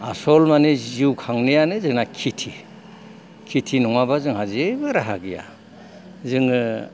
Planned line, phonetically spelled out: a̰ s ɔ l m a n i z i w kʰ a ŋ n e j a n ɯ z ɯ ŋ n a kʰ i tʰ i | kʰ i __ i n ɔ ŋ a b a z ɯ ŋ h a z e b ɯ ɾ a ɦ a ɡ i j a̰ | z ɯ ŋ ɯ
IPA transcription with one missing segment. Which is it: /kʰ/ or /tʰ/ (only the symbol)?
tʰ